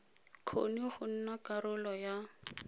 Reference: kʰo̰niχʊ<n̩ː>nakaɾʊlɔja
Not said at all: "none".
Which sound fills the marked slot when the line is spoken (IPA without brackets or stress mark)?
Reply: n̩